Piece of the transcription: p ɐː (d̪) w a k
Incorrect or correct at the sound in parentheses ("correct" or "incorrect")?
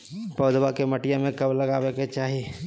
correct